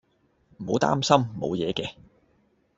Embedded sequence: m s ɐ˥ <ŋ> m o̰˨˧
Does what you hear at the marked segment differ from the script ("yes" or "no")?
yes